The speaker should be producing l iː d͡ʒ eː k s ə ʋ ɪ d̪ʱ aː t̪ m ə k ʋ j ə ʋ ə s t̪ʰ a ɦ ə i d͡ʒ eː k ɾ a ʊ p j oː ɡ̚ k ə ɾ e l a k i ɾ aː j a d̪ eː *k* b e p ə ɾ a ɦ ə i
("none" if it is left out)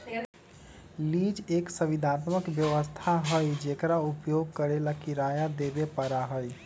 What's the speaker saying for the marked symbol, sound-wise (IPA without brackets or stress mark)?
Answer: none